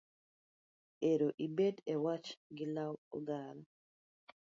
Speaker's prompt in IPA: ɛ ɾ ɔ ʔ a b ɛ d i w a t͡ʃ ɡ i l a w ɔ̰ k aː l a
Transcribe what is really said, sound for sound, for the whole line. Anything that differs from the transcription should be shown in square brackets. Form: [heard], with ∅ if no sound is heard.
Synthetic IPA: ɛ ɾ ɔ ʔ [i] b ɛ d [ɛ] w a t͡ʃ ɡ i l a w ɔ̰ [ɡ] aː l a